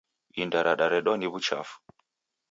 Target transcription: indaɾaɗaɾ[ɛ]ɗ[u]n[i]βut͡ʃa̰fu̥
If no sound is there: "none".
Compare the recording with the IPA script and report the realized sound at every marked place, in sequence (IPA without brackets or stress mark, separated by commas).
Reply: ɛ, ɔ, i